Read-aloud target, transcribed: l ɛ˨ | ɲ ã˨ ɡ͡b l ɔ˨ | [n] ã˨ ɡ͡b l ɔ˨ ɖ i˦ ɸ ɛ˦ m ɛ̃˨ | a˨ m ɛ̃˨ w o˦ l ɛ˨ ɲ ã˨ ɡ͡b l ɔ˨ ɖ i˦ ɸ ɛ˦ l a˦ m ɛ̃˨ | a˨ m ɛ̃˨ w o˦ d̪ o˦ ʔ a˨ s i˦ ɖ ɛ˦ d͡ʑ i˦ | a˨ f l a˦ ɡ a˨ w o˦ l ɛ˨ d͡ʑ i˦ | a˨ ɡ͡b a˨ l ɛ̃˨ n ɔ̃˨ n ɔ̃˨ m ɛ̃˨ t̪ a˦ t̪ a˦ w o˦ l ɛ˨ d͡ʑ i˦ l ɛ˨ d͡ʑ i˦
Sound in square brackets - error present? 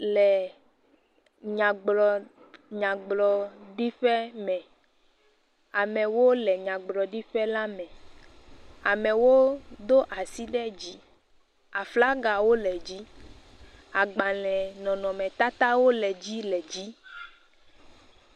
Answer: yes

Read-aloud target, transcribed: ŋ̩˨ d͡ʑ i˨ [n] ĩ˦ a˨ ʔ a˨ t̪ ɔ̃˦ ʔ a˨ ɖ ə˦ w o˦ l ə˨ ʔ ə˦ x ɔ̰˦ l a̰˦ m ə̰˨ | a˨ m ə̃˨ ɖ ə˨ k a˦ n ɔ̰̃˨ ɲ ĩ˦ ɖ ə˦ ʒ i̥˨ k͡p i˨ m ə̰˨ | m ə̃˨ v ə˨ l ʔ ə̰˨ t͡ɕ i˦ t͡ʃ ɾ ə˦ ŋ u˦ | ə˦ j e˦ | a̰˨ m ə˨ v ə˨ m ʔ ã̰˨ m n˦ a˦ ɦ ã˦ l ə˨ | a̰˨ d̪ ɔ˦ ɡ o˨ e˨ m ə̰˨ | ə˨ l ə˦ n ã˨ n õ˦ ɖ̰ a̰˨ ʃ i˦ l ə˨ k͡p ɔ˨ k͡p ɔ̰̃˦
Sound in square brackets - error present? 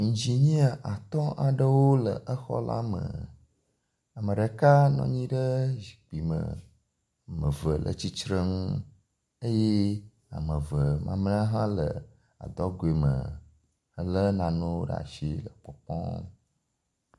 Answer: yes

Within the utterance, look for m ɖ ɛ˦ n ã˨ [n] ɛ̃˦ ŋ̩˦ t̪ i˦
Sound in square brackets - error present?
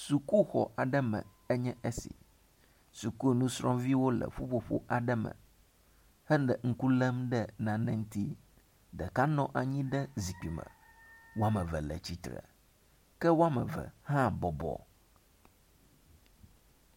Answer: no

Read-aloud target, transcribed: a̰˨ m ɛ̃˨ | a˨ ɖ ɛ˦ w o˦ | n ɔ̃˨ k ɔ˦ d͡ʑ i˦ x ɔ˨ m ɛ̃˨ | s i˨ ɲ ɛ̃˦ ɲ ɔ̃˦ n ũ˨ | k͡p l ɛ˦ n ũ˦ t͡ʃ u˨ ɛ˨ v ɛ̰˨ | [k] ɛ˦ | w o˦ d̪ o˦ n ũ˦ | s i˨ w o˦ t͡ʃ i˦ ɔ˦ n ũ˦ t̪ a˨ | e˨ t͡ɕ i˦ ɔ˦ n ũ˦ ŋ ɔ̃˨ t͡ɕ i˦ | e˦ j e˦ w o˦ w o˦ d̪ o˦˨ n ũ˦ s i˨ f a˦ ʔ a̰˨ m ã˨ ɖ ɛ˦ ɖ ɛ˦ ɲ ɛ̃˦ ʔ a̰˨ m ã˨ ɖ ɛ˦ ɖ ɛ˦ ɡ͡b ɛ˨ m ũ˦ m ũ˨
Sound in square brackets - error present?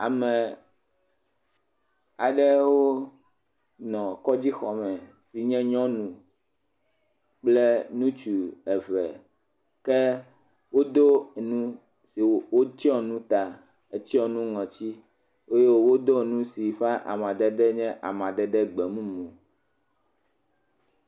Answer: no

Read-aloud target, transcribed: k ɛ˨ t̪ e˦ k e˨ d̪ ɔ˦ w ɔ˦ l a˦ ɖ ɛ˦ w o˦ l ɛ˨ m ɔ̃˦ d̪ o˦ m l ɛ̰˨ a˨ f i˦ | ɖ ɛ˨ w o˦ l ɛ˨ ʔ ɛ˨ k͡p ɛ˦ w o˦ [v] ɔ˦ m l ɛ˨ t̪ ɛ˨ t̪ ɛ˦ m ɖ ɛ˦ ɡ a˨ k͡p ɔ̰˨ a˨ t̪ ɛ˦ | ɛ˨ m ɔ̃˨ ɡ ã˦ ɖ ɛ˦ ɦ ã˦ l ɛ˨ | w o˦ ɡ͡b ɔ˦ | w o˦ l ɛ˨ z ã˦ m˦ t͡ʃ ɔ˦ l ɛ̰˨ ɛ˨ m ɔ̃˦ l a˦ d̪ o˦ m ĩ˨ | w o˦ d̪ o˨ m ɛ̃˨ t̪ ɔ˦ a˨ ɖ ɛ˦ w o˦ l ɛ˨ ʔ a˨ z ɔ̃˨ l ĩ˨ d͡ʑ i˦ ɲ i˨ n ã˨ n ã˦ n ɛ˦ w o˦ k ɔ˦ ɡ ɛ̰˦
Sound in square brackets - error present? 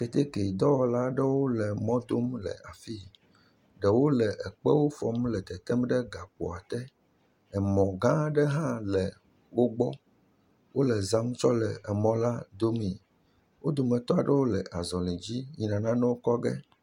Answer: yes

